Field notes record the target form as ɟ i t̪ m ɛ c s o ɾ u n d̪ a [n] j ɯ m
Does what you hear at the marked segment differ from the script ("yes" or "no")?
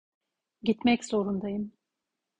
yes